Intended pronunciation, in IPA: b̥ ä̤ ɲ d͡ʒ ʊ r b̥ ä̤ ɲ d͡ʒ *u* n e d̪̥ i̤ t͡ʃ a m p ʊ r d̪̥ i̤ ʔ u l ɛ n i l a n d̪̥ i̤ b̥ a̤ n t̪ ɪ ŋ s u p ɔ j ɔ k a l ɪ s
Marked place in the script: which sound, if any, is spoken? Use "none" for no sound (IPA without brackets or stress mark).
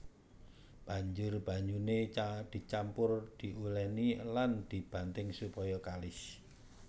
u